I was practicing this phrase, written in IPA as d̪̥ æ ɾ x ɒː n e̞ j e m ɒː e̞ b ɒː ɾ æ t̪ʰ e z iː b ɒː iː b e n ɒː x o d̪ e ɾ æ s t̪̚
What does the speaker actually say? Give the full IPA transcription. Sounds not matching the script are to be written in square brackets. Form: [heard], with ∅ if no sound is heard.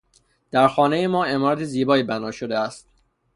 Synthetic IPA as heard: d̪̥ æ ɾ x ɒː n e̞ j e m ɒː e̞ [m] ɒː ɾ æ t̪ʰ e z iː b ɒː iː b [æ] n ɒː [ʃ] o d̪ e [∅] æ s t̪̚